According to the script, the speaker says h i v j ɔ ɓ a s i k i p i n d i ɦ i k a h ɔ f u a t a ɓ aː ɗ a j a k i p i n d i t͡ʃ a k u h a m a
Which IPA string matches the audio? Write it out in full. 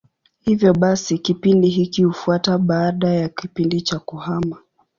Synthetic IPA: h i v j ɔ ɓ a s i k i p i n d i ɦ i k i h u f u a t a ɓ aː ɗ a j a k i p i n d i t͡ʃ a k u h a m a